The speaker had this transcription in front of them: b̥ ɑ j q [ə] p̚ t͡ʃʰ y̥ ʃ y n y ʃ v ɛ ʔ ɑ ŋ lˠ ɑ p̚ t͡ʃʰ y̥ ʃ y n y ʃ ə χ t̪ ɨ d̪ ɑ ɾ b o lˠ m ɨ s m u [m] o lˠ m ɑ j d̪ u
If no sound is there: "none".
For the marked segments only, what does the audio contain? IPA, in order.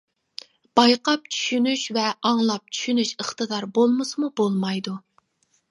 ɑ, b

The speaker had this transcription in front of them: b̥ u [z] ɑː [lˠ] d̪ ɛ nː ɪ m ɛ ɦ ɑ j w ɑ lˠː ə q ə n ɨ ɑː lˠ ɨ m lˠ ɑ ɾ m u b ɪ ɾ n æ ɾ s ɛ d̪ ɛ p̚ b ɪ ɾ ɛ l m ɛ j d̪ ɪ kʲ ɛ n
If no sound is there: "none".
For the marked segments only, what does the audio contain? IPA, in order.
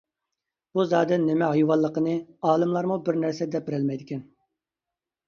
z, none

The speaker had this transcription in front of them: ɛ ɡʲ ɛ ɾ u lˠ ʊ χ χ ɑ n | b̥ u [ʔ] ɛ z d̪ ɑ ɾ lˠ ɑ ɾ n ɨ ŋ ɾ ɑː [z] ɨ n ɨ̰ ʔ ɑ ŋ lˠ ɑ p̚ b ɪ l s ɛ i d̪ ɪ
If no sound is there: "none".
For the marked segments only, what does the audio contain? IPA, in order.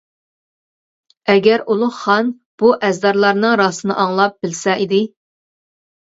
ʔ, s

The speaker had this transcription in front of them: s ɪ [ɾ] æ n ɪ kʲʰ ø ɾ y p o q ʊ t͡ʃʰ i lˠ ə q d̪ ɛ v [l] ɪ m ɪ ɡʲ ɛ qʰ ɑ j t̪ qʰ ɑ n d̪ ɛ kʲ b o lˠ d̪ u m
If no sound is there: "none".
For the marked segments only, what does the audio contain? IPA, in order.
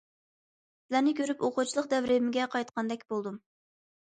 l, ɾ

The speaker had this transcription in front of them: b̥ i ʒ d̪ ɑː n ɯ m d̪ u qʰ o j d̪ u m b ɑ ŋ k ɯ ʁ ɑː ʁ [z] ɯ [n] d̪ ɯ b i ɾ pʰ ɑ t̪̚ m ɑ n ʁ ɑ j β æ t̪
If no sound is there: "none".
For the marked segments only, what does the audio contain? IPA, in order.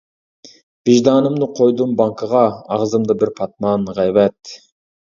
z, m

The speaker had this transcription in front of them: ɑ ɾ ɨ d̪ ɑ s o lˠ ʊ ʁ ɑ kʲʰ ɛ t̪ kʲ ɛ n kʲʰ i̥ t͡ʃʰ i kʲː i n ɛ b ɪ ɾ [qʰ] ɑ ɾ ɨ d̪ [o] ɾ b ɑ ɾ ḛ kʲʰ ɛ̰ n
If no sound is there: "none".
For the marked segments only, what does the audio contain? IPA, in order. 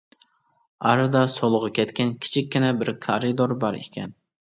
kʰ, o

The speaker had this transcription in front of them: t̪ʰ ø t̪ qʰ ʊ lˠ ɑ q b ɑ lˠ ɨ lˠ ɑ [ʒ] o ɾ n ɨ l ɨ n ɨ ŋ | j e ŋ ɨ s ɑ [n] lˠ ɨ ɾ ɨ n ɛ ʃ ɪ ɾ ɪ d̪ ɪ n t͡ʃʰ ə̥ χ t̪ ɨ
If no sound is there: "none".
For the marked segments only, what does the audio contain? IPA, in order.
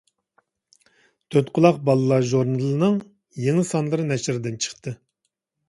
ʒ, n

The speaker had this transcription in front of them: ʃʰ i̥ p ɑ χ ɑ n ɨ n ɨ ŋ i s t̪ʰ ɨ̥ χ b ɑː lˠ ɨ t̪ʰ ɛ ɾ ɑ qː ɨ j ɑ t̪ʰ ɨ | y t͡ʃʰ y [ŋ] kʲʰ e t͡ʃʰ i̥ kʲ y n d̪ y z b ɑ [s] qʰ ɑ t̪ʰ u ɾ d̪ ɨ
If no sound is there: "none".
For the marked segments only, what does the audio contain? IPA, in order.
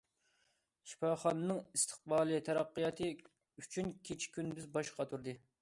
n, ʃ

